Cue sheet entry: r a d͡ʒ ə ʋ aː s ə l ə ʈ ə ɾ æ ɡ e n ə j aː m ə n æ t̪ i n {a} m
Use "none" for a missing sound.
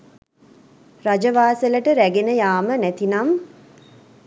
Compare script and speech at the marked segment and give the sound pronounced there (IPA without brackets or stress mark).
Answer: a